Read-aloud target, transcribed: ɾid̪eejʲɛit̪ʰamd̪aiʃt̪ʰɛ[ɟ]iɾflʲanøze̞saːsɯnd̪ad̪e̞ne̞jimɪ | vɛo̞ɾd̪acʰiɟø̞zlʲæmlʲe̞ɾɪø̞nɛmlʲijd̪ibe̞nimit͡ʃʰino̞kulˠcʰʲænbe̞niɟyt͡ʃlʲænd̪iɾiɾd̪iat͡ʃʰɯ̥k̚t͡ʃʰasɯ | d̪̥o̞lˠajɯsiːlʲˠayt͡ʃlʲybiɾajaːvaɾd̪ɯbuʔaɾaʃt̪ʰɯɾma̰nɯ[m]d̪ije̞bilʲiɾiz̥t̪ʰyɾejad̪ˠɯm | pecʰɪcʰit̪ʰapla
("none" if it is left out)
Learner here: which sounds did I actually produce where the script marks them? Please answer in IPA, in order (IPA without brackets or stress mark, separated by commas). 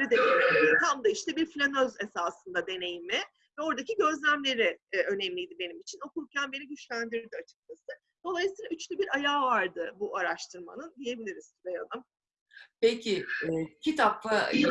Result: b, n